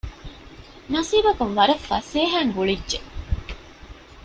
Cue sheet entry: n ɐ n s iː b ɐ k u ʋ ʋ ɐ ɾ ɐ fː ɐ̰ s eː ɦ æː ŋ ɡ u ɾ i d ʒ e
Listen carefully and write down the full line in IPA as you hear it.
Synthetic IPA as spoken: n ɐ s iː b ɐ k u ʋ ʋ ɐ ɾ ɐ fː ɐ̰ s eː ɦ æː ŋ ɡ u ɭ i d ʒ e